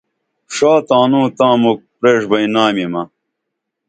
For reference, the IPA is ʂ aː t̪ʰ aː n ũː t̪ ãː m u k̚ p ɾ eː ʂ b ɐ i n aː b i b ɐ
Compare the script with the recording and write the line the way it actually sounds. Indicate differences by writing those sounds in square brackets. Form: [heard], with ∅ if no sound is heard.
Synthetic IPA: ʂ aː [t̪] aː n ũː t̪ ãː m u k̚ p ɾ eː ʂ b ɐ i n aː [m] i [m] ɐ